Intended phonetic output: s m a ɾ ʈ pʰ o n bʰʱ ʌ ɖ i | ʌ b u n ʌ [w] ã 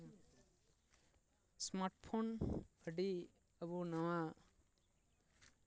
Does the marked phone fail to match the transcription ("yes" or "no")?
no